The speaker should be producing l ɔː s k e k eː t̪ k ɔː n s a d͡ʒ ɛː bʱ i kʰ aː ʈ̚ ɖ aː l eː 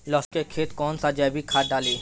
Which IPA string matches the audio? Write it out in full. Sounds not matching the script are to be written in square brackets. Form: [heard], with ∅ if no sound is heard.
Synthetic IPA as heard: l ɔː s k e [kʰ] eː t̪ k ɔː n s a d͡ʒ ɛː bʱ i kʰ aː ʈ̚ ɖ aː l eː

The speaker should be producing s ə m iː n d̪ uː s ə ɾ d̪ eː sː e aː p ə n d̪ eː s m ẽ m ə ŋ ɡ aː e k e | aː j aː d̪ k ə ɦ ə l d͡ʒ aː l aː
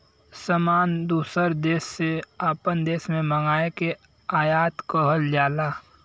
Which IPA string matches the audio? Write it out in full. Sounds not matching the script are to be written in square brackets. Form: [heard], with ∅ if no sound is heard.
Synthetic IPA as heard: s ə m [aː] n d̪ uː s ə ɾ d̪ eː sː e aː p ə n d̪ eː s m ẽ m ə ŋ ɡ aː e k e | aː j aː [t̪] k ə ɦ ə l d͡ʒ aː l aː

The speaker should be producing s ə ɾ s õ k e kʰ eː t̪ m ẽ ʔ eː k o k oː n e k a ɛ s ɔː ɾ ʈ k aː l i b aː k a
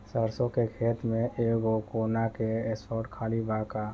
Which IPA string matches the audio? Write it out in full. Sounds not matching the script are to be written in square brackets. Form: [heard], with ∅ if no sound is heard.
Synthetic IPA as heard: s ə ɾ s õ k e kʰ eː t̪ m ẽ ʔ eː [ɡ] o k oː n [a] k [e] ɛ s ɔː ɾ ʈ [kʰ] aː l i b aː k a

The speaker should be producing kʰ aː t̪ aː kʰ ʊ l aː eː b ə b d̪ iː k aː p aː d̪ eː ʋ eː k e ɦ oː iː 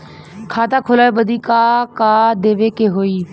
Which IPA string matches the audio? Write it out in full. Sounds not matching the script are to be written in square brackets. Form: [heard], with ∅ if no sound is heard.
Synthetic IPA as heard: kʰ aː t̪ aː kʰ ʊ l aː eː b ə [∅] d̪ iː k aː [k] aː d̪ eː ʋ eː k e ɦ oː iː

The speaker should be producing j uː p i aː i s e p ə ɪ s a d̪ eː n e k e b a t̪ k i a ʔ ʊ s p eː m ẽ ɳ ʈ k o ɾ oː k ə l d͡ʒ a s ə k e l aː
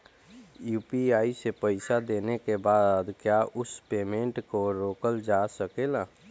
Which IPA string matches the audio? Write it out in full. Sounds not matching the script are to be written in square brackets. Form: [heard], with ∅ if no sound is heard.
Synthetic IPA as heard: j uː p i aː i s e p ə ɪ s a d̪ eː n e k e b a [d̪] k [j] a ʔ ʊ s p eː m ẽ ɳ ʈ k o ɾ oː k ə l d͡ʒ a s ə k e l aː

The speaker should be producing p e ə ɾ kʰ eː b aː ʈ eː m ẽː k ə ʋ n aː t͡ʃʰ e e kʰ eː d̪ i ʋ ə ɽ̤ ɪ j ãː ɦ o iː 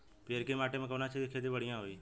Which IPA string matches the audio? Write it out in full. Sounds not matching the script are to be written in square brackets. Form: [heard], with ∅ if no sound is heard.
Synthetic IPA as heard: p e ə ɾ [k] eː [m] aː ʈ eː m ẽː k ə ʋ n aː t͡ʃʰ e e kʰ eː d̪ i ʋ ə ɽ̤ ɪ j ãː ɦ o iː

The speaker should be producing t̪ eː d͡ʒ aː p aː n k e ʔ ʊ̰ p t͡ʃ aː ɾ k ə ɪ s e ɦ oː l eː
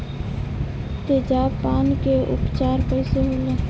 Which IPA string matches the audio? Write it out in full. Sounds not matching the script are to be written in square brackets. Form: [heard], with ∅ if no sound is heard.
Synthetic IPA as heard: t̪ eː d͡ʒ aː p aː n k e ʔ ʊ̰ p t͡ʃ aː ɾ [p] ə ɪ s e ɦ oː l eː

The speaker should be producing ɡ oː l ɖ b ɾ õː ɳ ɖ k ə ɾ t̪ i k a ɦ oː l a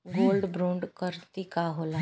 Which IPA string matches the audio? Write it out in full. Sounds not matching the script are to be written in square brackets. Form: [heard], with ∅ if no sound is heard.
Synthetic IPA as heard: ɡ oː l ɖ b ɾ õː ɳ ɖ k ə ɾ t̪ i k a ɦ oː l a

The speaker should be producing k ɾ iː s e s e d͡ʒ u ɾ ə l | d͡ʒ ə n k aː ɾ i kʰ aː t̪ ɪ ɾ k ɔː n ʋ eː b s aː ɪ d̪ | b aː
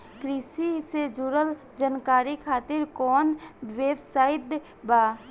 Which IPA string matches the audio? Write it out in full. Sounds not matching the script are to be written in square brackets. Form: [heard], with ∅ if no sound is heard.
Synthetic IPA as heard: k ɾ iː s [i] s e d͡ʒ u ɾ ə l | d͡ʒ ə n k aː ɾ i kʰ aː t̪ ɪ ɾ k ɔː n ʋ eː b s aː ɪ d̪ | b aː

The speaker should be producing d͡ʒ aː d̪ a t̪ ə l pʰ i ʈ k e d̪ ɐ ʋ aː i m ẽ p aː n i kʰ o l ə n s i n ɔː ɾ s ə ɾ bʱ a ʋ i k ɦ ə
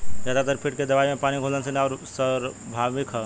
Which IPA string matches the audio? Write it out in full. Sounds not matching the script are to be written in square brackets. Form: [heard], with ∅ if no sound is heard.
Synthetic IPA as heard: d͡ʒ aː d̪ a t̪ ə [ɾ] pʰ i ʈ k e d̪ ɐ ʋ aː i m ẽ p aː n i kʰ o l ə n s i n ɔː ɾ s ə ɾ bʱ a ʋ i k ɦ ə

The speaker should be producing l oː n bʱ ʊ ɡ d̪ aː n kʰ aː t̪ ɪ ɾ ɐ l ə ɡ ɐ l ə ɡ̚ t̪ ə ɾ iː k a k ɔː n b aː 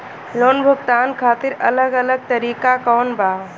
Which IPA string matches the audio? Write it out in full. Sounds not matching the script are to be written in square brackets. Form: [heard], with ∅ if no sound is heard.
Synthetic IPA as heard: l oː n bʱ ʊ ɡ [t̪] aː n kʰ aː t̪ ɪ ɾ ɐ l ə ɡ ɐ l ə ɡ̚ t̪ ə ɾ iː k a k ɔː n b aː

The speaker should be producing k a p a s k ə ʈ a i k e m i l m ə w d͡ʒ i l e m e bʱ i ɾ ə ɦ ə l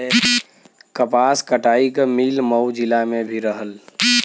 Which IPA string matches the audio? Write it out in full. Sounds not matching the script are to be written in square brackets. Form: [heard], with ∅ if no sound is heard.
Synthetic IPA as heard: k [ə] p a s k ə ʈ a i k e m i l m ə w d͡ʒ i l [a] m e bʱ i ɾ ə ɦ ə l

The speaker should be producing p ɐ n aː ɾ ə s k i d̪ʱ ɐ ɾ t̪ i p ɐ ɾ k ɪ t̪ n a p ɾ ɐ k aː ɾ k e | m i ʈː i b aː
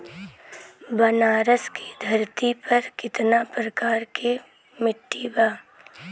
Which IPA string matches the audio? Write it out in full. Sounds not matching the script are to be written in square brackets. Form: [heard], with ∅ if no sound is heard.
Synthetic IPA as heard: [b] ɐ n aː ɾ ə s k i d̪ʱ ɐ ɾ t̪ i p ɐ ɾ k ɪ t̪ n a p ɾ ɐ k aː ɾ k e | m [ɪ] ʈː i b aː

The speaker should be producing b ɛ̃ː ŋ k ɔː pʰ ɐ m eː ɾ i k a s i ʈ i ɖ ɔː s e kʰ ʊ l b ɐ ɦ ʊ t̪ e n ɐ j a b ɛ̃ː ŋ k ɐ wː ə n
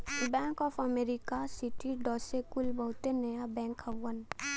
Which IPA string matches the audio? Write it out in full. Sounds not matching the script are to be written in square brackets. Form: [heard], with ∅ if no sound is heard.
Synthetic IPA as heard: b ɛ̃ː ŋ k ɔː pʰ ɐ m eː ɾ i k a s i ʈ i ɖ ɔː s e [k] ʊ l b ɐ ɦ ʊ t̪ e n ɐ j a b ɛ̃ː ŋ k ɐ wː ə n

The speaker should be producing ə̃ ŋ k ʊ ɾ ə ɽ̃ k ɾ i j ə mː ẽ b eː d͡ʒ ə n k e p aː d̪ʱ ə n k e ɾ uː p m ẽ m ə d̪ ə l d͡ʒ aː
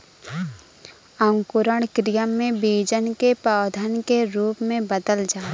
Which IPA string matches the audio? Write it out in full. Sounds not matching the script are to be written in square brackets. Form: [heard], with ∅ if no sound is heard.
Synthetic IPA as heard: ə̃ ŋ k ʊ ɾ ə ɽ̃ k ɾ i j ə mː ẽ b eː d͡ʒ ə n k e p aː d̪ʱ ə n k e ɾ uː p m ẽ [b] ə d̪ ə l d͡ʒ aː

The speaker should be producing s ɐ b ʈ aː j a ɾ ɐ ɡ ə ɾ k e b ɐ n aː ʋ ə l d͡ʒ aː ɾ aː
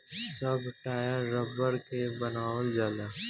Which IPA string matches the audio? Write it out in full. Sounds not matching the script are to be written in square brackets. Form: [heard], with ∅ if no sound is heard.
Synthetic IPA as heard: s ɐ b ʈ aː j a ɾ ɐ [b] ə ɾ k e b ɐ n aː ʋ ə l d͡ʒ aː [l] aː

